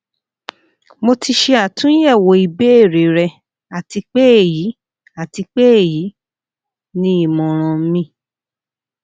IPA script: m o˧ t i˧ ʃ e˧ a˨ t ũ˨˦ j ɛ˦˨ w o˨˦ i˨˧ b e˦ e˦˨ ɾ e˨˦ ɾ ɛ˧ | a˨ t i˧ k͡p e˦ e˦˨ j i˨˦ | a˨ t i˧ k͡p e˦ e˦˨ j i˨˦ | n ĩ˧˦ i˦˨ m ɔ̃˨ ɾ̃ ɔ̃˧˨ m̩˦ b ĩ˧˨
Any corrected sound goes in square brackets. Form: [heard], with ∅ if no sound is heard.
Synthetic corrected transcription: m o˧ t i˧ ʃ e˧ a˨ t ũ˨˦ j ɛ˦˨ w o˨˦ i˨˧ b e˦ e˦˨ ɾ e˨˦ ɾ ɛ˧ | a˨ t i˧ k͡p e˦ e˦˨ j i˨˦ | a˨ t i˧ k͡p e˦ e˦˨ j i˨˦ | n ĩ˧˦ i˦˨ m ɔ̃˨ ɾ̃ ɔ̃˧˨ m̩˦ [m] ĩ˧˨